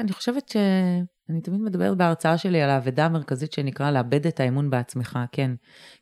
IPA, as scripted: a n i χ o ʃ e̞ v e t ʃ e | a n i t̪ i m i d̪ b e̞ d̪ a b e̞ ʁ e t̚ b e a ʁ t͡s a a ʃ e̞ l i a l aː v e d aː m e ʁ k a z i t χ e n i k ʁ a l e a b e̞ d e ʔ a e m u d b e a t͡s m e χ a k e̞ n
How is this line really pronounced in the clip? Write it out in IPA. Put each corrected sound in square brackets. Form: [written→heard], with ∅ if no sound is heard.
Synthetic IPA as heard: a n i χ o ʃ e̞ v e t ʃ e | a n i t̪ [i→a] m i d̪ [b→m] e̞ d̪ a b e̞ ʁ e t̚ b e a ʁ t͡s a a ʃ e̞ l i a l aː v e d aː m e ʁ k a z i t [χ→ʃ] e n i k ʁ a l e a b e̞ d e [ʔ→t] a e m u [d→n] b e a t͡s m e χ a k e̞ n